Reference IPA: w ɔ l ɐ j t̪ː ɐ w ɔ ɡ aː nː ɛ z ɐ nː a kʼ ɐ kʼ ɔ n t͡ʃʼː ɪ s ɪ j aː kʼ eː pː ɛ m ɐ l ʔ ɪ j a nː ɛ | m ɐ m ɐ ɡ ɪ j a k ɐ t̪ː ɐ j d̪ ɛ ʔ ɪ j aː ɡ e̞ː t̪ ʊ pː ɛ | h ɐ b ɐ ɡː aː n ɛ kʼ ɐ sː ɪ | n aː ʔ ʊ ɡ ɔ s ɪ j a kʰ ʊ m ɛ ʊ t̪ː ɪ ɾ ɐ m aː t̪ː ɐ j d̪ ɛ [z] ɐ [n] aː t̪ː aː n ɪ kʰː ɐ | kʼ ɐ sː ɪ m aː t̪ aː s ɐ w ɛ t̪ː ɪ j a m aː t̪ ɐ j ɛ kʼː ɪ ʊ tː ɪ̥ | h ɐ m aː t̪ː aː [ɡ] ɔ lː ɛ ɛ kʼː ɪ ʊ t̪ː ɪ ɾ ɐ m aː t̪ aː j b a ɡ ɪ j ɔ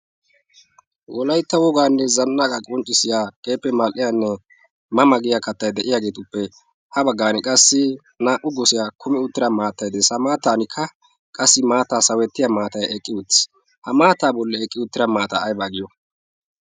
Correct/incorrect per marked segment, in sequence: incorrect: s, incorrect: m, incorrect: b

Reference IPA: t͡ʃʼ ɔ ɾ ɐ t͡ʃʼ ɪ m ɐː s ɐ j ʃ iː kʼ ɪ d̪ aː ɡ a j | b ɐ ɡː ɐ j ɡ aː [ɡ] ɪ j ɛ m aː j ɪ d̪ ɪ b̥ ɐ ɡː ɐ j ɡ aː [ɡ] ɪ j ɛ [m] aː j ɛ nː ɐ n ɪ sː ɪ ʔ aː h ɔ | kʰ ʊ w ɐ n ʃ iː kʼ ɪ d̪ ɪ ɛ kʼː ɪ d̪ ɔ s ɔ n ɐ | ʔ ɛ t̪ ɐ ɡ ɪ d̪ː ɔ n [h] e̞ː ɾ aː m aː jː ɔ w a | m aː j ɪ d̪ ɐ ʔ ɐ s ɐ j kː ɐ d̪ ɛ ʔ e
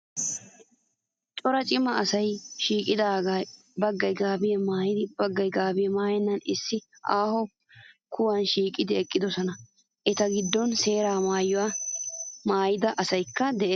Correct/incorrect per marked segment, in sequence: incorrect: b, incorrect: b, correct, incorrect: s

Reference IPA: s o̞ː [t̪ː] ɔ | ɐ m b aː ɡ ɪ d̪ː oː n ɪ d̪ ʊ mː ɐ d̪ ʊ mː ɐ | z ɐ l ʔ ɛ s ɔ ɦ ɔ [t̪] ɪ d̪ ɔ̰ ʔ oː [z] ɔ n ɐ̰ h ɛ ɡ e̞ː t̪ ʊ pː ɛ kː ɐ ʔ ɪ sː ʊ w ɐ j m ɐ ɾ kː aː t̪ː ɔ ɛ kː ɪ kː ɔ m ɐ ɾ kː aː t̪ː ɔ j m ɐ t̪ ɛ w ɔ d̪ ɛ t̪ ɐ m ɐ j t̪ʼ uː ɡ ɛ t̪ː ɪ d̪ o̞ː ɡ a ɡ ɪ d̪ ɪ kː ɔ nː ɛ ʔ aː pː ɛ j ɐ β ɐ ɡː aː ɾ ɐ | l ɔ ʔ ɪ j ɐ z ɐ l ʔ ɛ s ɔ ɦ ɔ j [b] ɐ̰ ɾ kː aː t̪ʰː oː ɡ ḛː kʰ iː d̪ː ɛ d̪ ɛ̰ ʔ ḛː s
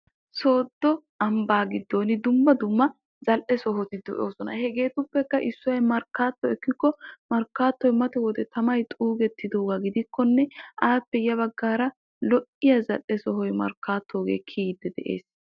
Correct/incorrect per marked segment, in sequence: incorrect: d̪ː, correct, incorrect: s, incorrect: m

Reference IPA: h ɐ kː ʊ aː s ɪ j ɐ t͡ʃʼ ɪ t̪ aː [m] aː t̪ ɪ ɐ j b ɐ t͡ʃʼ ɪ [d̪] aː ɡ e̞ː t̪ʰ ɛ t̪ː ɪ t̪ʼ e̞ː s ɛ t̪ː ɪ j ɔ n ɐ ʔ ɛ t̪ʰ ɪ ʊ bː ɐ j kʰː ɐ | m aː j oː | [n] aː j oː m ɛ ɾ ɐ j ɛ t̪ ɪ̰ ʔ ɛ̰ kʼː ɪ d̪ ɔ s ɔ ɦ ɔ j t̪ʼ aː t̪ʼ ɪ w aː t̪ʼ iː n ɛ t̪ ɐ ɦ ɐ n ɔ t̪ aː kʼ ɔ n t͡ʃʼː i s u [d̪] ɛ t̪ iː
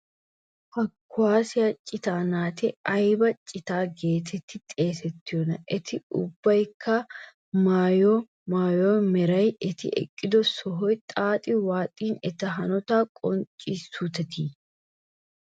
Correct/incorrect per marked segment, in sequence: incorrect: n, incorrect: t̪, incorrect: m, incorrect: t̪

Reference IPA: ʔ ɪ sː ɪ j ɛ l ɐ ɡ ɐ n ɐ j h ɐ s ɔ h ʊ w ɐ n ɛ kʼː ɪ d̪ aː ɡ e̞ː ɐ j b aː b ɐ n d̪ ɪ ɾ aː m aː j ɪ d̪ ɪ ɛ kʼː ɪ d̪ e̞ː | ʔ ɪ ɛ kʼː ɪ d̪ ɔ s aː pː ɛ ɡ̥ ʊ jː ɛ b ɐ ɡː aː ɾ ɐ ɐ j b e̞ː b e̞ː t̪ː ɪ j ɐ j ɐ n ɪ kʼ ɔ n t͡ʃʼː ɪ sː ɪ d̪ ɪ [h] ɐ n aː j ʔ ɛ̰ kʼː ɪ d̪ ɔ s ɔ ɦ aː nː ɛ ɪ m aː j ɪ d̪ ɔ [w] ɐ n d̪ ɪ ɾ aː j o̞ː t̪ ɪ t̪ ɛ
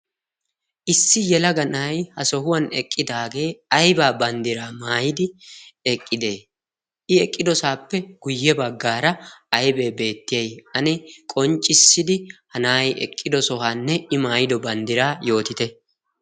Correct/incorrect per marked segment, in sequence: correct, incorrect: b

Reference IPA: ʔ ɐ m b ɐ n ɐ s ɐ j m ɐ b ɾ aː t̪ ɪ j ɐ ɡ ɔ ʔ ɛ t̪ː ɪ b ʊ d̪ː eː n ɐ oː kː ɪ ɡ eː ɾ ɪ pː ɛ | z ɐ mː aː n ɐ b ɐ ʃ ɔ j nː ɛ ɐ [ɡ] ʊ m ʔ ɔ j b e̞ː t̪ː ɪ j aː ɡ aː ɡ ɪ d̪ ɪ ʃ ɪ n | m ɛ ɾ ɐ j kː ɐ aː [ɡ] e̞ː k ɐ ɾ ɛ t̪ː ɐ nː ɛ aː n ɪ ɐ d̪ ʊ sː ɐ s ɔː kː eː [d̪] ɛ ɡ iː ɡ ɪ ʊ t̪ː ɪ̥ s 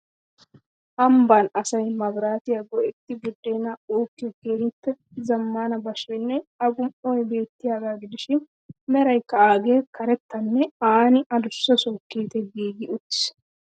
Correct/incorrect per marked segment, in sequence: correct, correct, incorrect: t̪

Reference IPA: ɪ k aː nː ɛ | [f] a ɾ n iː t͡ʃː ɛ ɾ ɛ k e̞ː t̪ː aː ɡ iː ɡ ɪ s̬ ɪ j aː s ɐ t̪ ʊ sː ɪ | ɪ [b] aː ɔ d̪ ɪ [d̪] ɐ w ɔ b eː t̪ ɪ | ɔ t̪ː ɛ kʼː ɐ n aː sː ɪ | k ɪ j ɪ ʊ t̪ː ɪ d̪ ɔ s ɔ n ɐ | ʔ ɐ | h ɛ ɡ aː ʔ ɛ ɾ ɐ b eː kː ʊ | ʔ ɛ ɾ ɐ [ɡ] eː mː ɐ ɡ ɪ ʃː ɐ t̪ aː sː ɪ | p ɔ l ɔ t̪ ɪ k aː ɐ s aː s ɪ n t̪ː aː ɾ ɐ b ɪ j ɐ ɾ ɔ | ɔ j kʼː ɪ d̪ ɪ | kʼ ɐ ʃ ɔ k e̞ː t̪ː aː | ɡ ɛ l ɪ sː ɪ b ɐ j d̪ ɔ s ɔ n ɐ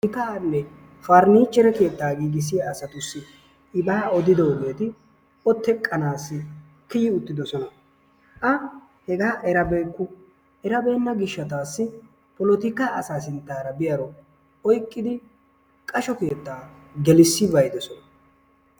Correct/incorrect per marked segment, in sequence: correct, correct, correct, incorrect: b

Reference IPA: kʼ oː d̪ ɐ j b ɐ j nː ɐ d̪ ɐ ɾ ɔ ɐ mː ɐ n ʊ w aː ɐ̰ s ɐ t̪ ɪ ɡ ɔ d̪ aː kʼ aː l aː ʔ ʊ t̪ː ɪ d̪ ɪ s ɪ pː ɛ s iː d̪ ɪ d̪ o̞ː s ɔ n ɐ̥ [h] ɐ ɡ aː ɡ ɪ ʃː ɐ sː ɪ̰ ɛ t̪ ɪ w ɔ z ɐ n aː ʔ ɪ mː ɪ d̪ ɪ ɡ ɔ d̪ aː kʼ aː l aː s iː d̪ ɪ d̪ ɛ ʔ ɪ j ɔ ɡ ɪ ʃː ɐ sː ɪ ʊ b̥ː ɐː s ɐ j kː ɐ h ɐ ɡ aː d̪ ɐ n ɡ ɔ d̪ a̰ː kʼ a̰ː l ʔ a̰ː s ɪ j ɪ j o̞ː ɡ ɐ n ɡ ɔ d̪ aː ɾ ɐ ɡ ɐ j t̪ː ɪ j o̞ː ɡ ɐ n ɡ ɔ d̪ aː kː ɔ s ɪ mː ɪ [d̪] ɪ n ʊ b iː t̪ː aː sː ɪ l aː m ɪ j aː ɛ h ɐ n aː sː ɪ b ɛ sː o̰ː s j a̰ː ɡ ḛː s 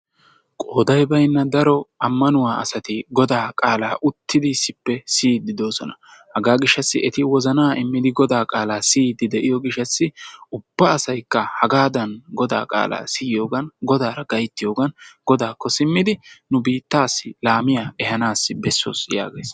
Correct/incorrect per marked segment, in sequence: correct, correct

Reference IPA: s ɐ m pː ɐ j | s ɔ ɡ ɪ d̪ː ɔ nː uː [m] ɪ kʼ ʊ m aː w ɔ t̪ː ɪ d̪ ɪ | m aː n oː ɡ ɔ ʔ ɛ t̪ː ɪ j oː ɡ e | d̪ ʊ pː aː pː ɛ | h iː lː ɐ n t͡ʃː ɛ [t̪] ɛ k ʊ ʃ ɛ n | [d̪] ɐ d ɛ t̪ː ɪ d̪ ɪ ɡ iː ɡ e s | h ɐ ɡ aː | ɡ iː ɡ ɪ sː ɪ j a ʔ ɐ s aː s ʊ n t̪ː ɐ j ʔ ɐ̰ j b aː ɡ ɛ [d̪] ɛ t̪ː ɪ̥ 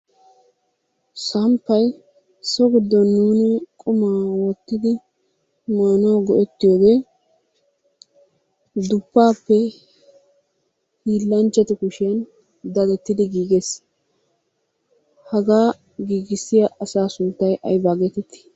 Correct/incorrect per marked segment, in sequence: incorrect: n, correct, correct, incorrect: t̪

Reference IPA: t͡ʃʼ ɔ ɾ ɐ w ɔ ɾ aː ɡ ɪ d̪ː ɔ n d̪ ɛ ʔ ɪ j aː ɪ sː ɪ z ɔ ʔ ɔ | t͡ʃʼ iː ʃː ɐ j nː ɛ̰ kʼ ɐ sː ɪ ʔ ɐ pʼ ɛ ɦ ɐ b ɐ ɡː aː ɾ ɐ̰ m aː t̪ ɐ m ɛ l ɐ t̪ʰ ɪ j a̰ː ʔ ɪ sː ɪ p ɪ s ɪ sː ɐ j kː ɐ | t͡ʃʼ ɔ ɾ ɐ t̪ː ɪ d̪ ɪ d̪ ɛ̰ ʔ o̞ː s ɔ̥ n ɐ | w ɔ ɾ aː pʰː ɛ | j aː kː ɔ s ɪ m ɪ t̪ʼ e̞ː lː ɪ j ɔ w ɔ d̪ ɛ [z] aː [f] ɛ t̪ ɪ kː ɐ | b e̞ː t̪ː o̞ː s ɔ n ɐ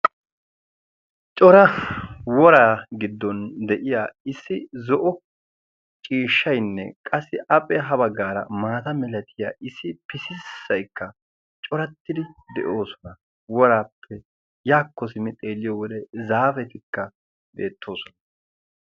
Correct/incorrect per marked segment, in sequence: correct, correct

